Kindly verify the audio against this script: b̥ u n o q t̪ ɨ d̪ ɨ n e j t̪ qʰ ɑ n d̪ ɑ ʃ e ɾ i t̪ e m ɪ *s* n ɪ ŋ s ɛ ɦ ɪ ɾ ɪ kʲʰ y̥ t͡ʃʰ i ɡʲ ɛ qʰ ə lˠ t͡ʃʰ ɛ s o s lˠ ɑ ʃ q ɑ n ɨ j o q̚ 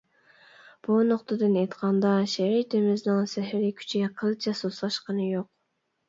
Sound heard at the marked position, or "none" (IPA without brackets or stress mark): z